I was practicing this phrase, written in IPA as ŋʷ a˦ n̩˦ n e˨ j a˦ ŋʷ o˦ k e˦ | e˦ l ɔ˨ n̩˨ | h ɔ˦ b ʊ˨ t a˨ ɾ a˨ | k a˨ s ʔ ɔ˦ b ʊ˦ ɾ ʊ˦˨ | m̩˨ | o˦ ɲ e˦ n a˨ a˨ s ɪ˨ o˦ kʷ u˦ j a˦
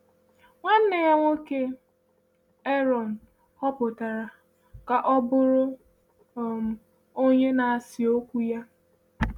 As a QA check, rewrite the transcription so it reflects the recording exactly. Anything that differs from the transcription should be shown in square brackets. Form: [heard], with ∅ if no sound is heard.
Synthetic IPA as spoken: ŋʷ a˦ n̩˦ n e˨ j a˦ ŋʷ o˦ k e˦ | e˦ [ɾ] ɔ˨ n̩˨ | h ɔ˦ [p] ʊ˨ t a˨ ɾ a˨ | k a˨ [∅] ʔ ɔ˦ b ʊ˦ ɾ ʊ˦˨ | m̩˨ | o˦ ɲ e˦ n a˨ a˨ s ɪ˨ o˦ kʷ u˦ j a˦